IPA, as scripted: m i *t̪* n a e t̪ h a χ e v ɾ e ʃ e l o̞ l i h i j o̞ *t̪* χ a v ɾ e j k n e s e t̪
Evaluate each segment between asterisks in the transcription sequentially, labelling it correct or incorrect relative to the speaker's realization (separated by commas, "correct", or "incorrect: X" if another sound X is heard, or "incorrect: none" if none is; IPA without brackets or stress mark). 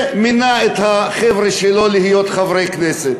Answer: incorrect: none, correct